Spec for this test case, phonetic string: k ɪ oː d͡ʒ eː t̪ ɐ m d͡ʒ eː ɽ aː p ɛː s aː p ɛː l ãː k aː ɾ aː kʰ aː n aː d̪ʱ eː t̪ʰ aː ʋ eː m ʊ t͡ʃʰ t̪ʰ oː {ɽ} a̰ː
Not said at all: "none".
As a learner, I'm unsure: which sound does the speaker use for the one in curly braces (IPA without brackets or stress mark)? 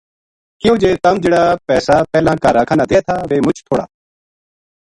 ɽ